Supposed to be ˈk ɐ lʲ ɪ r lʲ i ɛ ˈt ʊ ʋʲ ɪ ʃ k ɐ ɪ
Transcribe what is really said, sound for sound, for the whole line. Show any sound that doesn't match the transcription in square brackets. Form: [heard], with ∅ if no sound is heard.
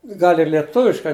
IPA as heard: [ˈɡ] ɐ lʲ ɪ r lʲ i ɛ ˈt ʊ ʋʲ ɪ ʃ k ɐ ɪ

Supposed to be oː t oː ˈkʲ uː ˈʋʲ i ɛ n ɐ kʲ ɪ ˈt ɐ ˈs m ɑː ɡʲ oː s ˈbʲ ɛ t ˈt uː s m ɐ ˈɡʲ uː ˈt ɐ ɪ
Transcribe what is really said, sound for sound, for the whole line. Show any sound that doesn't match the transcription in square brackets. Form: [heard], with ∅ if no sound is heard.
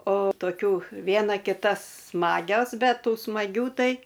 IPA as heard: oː t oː ˈkʲ uː ˈʋʲ i ɛ n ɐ kʲ ɪ ˈt ɐ ˈs m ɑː ɡʲ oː s ˈbʲ ɛ t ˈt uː s m ɐ ˈɡʲ uː ˈt ɐ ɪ

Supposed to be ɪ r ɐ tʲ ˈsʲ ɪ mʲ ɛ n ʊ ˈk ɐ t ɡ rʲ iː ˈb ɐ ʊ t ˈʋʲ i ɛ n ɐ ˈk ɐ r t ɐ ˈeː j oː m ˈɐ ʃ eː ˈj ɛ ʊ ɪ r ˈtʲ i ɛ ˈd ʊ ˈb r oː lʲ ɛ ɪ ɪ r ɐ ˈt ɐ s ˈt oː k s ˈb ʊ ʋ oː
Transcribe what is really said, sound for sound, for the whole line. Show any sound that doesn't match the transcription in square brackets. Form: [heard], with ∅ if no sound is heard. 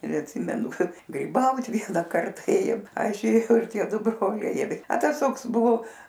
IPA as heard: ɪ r ɐ tʲ ˈsʲ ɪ mʲ ɛ n ʊ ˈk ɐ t ɡ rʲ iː ˈb ɐ ʊ t ˈʋʲ i ɛ n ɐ ˈk ɐ r t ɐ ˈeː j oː m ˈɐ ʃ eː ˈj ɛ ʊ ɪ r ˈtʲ i ɛ ˈd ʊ ˈb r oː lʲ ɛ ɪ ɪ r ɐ ˈt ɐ s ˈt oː k s ˈb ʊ ʋ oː

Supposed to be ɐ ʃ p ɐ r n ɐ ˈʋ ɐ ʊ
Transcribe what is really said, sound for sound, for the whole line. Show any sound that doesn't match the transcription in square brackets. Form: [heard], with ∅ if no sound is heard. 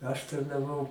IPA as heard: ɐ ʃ [t] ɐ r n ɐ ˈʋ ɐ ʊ

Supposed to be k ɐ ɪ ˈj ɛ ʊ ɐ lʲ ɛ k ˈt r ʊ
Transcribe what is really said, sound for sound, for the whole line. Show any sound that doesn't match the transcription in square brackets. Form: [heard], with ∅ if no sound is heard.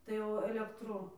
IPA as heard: [t] ɐ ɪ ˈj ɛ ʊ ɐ lʲ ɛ k ˈt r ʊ

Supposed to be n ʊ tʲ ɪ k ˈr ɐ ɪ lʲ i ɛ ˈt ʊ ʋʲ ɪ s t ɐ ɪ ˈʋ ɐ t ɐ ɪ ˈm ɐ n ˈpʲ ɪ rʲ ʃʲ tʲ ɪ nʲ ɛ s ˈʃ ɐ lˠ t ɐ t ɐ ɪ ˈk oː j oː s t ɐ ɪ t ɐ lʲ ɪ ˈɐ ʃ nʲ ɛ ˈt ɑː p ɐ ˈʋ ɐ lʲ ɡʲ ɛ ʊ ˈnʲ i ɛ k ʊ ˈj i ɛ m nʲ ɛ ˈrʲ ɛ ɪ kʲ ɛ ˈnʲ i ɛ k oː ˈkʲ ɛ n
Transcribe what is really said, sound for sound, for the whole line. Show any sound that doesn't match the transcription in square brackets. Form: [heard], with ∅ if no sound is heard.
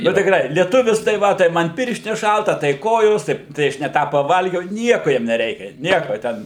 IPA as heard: n ʊ tʲ ɪ k ˈr ɐ ɪ lʲ i ɛ ˈt ʊ ʋʲ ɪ s t ɐ ɪ ˈʋ ɐ t ɐ ɪ ˈm ɐ n ˈpʲ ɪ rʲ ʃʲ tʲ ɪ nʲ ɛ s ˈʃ ɐ lˠ t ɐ t ɐ ɪ ˈk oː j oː s t ɐ ɪ t ɐ [∅] ɪ ˈɐ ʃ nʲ ɛ ˈt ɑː p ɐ ˈʋ ɐ lʲ ɡʲ ɛ ʊ ˈnʲ i ɛ k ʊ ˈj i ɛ m nʲ ɛ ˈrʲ ɛ ɪ kʲ ɛ ˈnʲ i ɛ k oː [ˈtʲ] ɛ n

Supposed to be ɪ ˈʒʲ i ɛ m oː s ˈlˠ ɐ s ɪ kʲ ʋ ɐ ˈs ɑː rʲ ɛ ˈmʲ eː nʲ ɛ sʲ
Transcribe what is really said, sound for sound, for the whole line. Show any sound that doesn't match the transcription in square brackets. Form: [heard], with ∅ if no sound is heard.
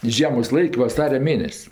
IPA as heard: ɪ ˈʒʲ i ɛ m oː s ˈlˠ ɐ [∅] ɪ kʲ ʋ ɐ ˈs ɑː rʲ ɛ ˈmʲ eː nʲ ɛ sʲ

